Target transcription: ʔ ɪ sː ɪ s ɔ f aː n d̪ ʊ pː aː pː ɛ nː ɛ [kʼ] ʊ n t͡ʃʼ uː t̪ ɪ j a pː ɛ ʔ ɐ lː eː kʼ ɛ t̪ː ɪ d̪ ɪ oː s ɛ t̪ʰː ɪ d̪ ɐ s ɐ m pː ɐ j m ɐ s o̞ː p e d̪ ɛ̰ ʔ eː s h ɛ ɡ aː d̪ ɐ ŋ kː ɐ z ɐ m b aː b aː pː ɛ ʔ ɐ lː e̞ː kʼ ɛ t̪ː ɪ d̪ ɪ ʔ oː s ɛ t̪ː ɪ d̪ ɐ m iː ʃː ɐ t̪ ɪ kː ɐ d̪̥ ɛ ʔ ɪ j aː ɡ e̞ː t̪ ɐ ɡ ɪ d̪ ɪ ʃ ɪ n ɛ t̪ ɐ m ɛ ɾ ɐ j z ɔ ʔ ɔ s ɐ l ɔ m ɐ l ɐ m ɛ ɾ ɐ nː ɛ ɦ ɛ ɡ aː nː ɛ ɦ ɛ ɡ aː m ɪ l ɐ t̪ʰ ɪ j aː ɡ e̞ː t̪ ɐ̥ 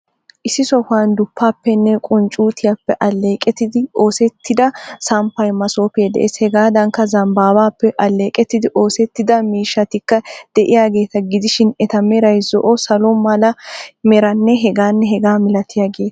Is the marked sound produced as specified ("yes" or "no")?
yes